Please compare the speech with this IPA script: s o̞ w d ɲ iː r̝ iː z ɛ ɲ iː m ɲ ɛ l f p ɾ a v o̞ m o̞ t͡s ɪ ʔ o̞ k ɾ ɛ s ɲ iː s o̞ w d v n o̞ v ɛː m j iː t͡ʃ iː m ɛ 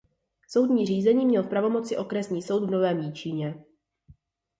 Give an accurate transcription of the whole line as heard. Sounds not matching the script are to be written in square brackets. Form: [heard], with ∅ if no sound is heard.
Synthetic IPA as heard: s o̞ w d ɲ iː r̝ iː z ɛ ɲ iː m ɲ ɛ l f p ɾ a v o̞ m o̞ t͡s ɪ ʔ o̞ k ɾ ɛ s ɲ iː s o̞ w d v n o̞ v ɛː m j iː t͡ʃ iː [ɲ] ɛ